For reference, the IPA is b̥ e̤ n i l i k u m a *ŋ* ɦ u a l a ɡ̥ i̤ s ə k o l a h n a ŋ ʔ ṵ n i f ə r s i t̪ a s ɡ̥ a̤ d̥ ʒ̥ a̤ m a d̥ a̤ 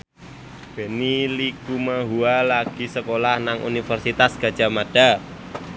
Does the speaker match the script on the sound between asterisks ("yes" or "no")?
no